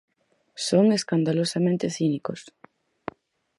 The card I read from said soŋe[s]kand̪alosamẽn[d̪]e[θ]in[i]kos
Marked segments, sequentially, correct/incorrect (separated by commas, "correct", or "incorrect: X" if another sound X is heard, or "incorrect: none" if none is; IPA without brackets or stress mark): correct, incorrect: t̪, correct, correct